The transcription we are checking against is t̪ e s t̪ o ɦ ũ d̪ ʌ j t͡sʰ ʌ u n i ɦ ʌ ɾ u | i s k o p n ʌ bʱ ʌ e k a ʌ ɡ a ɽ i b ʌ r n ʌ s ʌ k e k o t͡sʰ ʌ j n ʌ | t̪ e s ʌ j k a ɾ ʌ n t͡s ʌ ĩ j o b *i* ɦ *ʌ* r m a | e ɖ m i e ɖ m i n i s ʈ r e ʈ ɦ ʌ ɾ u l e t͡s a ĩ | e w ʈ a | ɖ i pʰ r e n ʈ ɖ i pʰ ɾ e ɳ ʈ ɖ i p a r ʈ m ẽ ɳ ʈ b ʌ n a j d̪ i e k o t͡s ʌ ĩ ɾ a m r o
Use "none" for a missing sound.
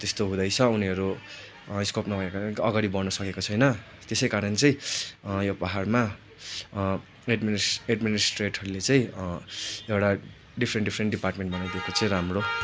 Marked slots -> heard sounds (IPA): a, a

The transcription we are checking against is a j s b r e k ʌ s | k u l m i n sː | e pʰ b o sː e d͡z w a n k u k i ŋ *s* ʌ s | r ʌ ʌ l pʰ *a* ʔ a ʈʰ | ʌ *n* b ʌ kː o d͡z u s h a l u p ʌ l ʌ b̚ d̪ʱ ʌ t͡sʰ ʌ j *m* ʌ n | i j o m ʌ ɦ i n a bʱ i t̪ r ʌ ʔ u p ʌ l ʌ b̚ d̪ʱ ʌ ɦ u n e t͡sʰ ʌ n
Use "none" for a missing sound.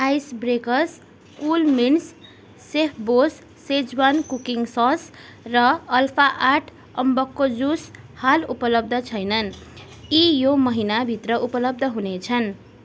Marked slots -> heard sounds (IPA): s, a, m, n

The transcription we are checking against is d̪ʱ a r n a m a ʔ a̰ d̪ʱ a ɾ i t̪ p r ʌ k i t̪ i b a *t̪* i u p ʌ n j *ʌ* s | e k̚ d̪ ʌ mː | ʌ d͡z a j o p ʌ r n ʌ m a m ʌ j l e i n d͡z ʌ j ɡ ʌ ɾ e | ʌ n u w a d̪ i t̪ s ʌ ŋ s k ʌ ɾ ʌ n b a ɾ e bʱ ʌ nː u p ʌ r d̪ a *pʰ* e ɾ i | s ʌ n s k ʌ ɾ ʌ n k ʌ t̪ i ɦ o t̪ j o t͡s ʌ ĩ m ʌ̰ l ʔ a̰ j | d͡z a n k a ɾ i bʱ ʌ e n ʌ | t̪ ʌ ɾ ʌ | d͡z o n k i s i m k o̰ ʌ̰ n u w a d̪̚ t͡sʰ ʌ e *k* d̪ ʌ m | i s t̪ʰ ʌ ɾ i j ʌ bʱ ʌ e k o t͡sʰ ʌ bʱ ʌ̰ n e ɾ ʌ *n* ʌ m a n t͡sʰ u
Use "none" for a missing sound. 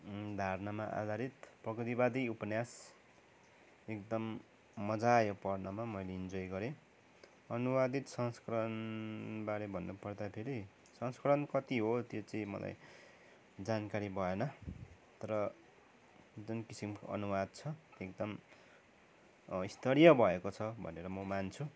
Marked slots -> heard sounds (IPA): d̪, a, pʰ, k, m

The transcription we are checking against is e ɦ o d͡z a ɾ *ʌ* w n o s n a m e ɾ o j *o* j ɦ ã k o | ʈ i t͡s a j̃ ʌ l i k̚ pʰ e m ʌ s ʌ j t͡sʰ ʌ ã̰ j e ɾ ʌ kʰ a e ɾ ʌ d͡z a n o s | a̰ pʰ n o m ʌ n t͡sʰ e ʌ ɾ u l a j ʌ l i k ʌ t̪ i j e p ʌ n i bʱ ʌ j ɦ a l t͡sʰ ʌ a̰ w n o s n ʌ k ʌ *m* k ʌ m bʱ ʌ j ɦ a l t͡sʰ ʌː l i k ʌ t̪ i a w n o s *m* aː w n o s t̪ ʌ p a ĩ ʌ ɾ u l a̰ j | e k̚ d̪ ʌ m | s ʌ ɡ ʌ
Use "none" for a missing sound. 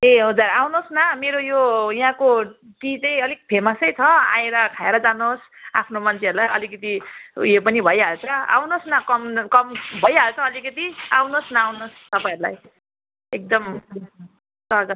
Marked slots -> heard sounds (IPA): a, o, m, n

